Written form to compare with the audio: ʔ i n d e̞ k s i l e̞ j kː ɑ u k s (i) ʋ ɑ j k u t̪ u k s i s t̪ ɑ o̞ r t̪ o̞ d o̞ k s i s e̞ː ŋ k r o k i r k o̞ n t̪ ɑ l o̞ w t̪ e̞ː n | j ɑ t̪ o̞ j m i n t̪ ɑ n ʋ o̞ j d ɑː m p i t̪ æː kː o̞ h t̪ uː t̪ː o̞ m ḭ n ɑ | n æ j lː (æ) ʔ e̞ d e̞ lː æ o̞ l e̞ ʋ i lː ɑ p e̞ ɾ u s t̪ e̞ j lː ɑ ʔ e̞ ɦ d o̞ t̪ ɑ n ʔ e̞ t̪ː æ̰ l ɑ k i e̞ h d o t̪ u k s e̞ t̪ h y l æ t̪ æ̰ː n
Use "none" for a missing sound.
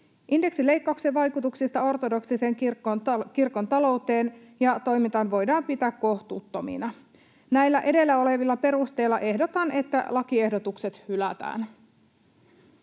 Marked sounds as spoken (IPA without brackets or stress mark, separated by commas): e, æ